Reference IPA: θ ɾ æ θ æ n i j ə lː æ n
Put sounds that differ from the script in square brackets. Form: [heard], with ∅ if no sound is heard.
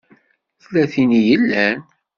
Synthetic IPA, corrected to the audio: θ [l] æ θ [i] n i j ə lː æ n